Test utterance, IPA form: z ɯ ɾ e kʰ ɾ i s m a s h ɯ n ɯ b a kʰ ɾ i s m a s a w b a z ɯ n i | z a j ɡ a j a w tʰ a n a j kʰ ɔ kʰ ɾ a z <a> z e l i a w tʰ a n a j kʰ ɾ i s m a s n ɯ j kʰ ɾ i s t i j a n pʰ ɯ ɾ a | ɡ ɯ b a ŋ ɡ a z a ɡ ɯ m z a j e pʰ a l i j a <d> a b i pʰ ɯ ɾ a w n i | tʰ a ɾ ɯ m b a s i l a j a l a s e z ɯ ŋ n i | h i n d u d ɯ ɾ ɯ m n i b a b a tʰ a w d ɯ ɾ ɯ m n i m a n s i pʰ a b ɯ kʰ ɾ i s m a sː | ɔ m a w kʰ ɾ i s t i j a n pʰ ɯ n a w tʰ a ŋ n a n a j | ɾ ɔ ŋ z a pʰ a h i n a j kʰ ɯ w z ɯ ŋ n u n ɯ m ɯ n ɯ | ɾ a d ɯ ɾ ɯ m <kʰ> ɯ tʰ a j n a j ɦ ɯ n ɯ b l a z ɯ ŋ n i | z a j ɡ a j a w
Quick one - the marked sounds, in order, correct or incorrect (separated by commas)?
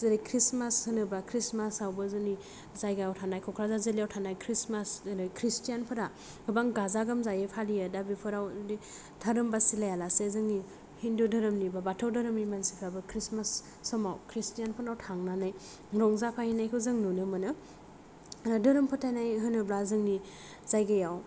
correct, correct, incorrect